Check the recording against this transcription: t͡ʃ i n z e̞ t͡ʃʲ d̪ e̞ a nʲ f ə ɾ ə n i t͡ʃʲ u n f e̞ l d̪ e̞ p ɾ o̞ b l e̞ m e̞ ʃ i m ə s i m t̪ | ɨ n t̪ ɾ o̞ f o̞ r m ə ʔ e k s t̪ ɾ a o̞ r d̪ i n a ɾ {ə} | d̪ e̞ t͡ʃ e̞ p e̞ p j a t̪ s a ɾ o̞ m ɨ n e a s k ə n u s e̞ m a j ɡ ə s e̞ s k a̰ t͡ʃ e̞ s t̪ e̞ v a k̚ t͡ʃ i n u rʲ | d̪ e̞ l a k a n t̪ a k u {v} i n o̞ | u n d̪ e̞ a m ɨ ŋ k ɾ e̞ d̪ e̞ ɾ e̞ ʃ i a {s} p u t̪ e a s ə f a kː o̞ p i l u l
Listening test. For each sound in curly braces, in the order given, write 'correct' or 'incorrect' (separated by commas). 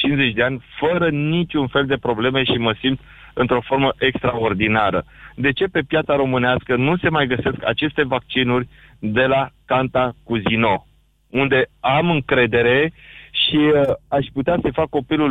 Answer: correct, incorrect, incorrect